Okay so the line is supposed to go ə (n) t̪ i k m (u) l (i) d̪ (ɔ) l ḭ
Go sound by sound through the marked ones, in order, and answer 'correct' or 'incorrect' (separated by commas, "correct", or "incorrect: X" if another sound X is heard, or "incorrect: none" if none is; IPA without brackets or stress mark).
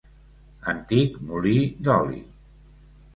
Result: correct, correct, correct, correct